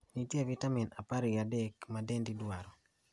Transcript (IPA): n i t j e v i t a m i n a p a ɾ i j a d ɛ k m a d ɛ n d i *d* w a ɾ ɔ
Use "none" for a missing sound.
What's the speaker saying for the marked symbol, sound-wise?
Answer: d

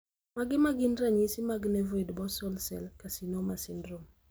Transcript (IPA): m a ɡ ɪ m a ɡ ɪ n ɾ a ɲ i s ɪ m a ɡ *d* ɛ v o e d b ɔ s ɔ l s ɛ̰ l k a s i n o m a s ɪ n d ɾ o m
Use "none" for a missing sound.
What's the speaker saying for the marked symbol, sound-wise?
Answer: n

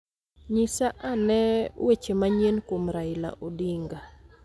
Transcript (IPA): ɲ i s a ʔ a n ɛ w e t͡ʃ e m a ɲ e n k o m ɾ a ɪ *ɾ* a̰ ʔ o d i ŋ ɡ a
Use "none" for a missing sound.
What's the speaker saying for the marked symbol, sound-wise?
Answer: l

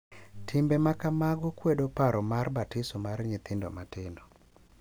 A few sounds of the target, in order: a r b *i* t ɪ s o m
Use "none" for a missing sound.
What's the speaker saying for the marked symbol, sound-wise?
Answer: a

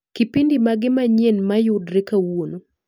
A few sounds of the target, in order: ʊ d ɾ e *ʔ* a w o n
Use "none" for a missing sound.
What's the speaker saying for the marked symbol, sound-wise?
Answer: k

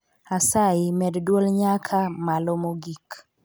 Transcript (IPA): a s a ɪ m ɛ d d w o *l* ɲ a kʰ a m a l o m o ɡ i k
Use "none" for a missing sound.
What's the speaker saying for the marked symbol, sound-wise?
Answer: l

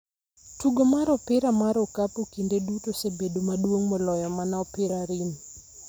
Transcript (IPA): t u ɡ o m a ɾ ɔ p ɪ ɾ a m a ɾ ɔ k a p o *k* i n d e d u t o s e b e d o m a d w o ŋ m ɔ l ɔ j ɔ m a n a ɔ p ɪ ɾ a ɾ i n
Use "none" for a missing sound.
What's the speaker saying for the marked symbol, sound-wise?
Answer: k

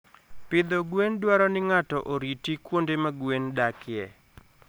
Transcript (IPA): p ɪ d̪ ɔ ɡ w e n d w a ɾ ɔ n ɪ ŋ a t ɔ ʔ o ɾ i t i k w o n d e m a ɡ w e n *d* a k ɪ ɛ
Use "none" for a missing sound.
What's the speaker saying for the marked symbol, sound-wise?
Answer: d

